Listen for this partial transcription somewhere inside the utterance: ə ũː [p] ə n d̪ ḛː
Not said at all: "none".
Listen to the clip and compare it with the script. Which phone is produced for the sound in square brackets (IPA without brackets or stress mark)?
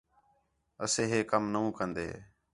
k